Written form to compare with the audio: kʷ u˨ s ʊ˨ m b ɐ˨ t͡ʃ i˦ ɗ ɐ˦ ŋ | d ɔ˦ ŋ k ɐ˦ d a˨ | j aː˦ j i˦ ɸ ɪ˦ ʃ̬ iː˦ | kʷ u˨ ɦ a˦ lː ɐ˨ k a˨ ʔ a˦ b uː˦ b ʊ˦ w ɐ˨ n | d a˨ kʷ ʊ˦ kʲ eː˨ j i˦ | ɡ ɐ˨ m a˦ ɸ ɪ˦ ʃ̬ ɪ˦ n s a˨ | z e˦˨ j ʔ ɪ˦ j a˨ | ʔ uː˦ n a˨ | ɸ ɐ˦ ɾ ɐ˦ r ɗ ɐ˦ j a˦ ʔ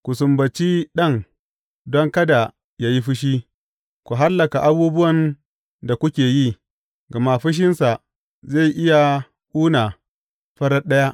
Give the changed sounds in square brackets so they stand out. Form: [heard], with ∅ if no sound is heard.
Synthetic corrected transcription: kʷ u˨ s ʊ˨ m b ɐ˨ t͡ʃ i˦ ɗ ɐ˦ ŋ | d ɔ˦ ŋ k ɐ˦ d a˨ | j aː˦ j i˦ ɸ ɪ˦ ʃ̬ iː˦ | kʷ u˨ ɦ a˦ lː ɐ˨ k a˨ ʔ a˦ b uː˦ b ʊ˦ w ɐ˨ n | d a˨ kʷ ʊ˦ kʲ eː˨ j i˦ | ɡ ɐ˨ m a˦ ɸ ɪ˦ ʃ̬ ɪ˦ n s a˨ | z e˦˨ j ʔ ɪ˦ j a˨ | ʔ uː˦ n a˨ | ɸ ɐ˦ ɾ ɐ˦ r ɗ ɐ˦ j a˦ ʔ

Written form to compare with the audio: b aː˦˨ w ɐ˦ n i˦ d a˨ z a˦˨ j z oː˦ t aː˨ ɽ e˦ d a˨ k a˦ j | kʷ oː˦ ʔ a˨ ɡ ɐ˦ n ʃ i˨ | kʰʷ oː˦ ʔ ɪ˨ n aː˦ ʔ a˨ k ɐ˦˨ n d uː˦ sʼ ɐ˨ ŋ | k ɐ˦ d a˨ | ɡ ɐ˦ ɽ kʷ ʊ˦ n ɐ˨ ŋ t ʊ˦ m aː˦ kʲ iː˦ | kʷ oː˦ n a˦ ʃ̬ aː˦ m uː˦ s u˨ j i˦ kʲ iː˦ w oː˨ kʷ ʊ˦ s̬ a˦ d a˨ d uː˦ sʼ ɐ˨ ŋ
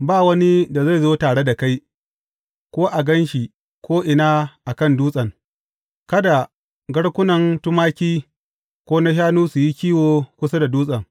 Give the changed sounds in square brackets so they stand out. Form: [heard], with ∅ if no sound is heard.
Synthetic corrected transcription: b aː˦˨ w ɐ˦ n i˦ d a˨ z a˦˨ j z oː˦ t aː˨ ɽ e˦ d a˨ k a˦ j | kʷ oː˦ ʔ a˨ ɡ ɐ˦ n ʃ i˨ | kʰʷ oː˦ ʔ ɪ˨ n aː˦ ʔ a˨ k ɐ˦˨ n d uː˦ sʼ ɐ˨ ŋ | k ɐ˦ d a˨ | ɡ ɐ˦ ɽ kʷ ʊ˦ n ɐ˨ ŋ t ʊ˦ m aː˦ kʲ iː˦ | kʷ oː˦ n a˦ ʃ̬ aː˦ [n] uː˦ s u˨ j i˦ kʲ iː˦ w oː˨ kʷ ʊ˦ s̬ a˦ d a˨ d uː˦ sʼ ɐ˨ ŋ

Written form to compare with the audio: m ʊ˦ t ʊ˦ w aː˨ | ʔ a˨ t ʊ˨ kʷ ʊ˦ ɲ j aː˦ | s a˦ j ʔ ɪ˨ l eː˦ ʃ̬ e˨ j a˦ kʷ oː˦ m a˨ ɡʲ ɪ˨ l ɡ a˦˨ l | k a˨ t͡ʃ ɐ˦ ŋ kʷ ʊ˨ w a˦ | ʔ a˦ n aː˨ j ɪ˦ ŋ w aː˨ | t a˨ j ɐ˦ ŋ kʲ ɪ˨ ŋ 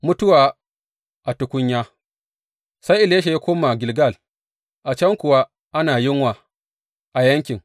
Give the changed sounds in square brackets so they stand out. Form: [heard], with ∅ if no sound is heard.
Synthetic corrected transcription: m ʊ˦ t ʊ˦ w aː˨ | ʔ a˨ t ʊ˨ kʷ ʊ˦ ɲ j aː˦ | s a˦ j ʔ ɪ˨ l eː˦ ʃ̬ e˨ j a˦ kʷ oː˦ m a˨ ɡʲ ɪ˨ l ɡ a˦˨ l | [ʔ] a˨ t͡ʃ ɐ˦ ŋ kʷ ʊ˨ w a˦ | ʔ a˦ n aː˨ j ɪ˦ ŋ w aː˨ | [ʔ] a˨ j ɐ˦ ŋ kʲ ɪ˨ ŋ

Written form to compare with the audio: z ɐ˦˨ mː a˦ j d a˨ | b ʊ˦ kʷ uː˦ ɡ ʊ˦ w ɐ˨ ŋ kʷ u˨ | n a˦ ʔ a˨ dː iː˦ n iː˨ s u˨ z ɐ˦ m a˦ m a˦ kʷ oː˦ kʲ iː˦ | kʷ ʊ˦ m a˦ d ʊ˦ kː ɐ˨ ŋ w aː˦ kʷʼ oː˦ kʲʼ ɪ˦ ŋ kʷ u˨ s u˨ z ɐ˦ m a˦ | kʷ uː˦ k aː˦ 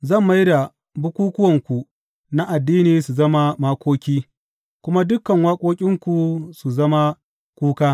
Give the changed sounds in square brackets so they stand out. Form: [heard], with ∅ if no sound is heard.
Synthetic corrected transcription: z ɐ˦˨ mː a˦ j d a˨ | b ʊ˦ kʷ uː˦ [k] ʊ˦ w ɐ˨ ŋ kʷ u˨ | n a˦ ʔ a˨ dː iː˦ n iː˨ s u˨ z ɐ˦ m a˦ m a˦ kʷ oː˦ kʲ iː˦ | kʷ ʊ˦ m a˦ d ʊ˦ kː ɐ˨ ŋ w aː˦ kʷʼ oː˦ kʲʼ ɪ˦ ŋ kʷ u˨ s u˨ z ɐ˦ m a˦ | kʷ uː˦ k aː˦

